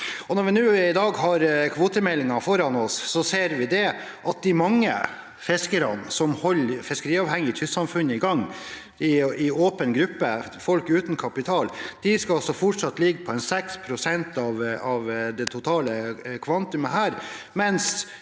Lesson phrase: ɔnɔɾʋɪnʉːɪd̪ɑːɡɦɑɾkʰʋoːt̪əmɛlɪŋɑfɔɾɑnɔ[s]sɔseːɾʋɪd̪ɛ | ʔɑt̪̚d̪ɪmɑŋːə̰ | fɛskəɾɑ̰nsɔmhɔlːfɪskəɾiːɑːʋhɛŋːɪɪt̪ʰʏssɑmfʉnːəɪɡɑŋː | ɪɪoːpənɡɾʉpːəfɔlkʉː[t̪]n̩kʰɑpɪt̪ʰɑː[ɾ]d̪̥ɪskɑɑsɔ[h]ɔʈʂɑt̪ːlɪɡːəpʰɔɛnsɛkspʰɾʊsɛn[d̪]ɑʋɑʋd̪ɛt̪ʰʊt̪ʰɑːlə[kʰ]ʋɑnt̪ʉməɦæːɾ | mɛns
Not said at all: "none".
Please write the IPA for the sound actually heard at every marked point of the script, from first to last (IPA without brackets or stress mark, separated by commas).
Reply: s, t̪, l, f, t̪, kʰ